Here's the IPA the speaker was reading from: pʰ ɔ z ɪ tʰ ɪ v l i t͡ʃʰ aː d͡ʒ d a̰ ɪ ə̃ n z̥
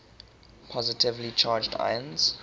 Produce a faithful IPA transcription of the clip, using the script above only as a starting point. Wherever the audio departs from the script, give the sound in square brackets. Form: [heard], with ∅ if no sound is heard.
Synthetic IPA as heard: pʰ ɔ z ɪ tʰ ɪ v l i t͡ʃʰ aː d͡ʒ d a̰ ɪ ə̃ n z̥

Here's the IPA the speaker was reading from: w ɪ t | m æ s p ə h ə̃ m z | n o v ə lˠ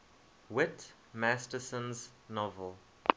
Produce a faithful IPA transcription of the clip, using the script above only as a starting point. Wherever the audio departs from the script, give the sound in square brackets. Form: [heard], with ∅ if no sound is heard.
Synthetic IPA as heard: w ɪ t | m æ s [t] ə [s] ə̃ [n] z | n [ɔ] v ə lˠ

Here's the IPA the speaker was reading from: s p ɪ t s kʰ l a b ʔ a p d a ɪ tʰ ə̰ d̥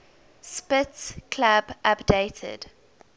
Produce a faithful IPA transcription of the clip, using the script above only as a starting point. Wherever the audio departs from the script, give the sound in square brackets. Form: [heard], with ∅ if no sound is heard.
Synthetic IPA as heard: s p ɪ t s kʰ l a b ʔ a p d [e] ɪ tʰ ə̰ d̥

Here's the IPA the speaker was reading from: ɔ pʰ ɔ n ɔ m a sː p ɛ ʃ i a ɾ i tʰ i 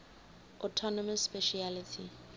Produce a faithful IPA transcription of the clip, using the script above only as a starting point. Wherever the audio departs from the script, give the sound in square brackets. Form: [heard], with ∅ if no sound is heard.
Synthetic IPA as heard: ɔ [tʰ] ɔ n ɔ m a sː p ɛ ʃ i a [l] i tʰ i

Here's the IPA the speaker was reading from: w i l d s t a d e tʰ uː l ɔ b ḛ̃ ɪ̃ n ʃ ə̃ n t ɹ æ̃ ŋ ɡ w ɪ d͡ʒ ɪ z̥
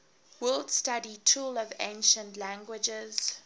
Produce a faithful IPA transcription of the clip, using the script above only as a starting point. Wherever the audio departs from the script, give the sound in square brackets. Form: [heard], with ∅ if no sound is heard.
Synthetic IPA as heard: w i l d s t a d [i] tʰ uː l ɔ [v] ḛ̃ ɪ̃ n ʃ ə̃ n t [l] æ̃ ŋ ɡ w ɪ d͡ʒ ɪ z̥

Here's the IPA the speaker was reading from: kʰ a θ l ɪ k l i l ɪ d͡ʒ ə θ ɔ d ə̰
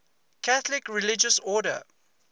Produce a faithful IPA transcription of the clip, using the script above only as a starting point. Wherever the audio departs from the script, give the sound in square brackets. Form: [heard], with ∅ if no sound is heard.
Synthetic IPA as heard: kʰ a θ l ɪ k [ɹ] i l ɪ d͡ʒ ə [s] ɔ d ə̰

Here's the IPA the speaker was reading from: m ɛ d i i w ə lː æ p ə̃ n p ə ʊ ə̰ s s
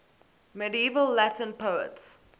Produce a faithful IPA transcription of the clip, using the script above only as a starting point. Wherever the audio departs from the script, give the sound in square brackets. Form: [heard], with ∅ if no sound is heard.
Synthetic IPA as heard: m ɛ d i i [v] ə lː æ [t] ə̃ n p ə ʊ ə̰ [t] s

